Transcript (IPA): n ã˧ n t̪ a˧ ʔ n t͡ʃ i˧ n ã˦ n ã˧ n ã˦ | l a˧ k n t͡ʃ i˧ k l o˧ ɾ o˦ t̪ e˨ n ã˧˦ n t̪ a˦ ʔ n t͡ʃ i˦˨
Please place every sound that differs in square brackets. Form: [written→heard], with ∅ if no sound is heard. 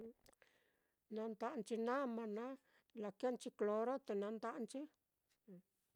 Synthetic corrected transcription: n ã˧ n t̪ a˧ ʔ n t͡ʃ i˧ n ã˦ [n→m] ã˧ n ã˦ | l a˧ k n t͡ʃ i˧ k l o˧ ɾ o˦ t̪ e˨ n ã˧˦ n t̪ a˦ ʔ n t͡ʃ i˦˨

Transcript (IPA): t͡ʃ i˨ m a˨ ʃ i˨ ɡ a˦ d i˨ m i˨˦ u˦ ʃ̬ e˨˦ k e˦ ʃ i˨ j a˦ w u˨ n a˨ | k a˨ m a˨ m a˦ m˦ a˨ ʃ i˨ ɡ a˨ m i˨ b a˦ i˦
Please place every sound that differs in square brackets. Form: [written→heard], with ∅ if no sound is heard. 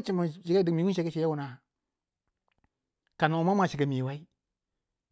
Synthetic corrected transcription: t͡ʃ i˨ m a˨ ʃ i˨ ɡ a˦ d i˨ m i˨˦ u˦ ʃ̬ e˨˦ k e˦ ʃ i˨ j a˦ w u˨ n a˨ | k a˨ [m→n] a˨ m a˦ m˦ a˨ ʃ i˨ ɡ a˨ m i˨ [b→w] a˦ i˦

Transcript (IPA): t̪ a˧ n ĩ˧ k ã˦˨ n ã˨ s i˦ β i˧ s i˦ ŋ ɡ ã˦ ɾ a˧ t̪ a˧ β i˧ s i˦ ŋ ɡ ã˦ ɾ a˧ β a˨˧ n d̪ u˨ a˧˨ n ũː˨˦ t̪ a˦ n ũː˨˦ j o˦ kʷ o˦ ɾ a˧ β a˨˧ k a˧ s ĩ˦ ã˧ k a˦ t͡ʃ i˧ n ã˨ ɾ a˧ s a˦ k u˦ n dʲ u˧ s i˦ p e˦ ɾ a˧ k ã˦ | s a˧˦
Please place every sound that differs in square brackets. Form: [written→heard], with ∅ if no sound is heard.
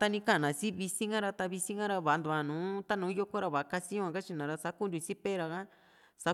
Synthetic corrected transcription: t̪ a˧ n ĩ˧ k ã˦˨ n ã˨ s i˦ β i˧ s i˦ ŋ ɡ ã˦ ɾ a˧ t̪ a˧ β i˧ s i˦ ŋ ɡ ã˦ ɾ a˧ β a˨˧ n d̪ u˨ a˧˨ n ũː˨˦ t̪ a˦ n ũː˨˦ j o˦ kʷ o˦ ɾ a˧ β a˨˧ k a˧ s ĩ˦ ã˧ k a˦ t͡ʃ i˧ n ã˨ ɾ a˧ s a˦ k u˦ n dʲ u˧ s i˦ p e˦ ɾ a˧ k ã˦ | s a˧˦

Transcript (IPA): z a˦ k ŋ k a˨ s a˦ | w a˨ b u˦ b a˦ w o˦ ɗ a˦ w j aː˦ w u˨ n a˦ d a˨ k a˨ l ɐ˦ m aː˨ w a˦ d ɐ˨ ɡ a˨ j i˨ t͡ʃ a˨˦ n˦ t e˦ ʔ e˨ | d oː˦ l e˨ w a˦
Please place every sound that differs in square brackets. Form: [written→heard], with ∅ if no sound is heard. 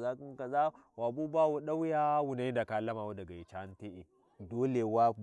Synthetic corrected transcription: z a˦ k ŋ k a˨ [s→z] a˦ | w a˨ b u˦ b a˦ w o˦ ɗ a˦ w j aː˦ w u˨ n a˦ d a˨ k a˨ l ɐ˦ m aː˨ w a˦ d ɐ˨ ɡ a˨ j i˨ t͡ʃ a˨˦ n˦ t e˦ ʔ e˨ | d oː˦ l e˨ w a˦

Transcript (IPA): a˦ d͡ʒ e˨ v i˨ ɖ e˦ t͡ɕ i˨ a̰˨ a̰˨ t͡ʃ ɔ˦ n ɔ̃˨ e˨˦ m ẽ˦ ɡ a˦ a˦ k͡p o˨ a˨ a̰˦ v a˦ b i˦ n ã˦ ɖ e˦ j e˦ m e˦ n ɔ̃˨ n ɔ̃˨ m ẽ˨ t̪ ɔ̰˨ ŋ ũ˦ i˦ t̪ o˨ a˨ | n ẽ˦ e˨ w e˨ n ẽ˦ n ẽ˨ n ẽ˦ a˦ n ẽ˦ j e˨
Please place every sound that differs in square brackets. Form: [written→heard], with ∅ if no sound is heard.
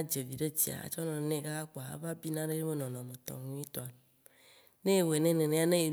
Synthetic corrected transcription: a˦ d͡ʒ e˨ v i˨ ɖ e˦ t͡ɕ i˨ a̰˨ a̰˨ t͡ʃ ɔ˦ n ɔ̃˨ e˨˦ [m→n] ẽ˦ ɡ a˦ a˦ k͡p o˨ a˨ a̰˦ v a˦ b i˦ n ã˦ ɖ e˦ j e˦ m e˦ n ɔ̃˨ n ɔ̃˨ m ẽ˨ t̪ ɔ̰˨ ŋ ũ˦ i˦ t̪ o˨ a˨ | n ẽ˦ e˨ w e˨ n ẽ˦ n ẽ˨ n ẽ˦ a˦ n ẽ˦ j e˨

